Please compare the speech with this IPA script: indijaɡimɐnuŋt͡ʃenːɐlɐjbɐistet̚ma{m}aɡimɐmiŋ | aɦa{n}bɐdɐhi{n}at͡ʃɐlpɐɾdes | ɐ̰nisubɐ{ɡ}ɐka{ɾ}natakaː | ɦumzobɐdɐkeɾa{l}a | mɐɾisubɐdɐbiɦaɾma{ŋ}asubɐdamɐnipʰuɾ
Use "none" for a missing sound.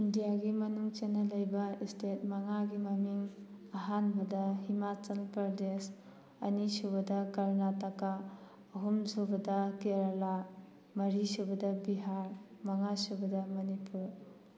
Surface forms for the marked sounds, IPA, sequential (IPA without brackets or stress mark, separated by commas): ŋ, n, m, d, ɾ, l, ŋ